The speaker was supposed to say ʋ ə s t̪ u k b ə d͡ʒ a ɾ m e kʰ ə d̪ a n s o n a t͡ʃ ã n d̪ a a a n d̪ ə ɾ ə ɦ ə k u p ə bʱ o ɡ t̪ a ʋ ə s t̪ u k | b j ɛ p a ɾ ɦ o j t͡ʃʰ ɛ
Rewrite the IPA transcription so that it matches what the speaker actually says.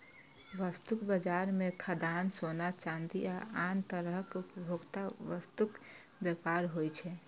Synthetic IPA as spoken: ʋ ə s t̪ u k b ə d͡ʒ a ɾ m e kʰ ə d̪ a n s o n a t͡ʃ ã n d̪ i a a n t̪ ə ɾ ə ɦ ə k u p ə bʱ o ɡ t̪ a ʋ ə s t̪ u k | b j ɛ p a ɾ ɦ o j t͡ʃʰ ɛ